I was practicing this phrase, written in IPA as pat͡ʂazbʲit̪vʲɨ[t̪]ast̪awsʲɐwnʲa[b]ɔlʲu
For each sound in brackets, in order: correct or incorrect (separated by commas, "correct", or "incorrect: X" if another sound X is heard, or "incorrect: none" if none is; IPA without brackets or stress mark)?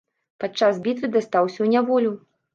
incorrect: d̪, incorrect: v